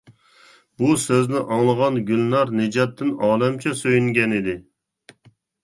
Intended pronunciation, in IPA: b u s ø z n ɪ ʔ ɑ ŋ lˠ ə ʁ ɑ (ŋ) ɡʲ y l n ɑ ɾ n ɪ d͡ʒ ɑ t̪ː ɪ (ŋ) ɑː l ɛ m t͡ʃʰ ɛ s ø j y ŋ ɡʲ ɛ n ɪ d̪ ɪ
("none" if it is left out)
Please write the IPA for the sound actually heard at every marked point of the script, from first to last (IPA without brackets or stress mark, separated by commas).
n, n